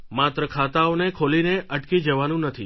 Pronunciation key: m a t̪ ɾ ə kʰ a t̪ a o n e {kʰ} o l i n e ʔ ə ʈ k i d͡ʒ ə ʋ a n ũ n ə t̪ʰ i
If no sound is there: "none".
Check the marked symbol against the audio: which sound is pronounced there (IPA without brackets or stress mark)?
kʰ